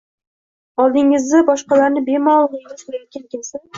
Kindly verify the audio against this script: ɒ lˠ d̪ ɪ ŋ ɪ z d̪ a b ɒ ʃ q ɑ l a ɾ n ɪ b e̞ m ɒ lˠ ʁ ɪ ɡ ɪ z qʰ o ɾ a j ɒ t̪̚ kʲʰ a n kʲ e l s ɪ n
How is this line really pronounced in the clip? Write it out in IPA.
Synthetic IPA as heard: ɒ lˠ d̪ ɪ ŋ ɪ z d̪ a b ɒ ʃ q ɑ l a ɾ n ɪ b e̞ m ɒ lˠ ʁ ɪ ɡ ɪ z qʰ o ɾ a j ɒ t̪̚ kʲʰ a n kʲ e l s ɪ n